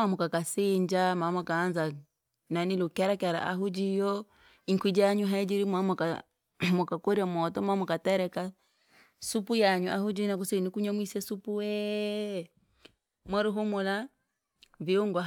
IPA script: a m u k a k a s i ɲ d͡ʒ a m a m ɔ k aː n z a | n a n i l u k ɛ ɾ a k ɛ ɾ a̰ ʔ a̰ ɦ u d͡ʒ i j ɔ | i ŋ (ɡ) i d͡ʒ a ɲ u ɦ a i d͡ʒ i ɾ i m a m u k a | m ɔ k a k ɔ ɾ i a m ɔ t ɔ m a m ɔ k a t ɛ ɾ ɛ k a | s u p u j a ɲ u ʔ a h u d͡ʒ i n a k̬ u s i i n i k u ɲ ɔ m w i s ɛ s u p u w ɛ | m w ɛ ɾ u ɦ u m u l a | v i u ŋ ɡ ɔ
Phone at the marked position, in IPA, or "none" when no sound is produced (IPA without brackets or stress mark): k